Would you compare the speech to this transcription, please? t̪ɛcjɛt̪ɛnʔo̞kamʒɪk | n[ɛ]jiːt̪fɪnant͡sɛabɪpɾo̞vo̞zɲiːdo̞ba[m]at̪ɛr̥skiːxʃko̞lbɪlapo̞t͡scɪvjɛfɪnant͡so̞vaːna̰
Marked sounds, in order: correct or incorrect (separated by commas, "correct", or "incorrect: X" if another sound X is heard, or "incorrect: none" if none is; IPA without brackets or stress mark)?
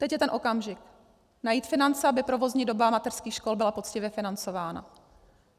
incorrect: a, correct